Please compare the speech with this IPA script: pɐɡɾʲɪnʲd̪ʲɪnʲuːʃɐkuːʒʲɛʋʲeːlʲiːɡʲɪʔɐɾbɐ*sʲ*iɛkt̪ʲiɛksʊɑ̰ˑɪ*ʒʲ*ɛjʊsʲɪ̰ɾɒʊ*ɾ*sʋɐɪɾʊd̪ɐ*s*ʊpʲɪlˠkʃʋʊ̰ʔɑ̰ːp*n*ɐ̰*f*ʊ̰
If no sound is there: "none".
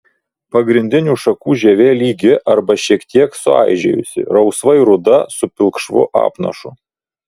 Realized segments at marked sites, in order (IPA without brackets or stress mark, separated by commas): ʃʲ, ʒʲ, none, s, n, ʃ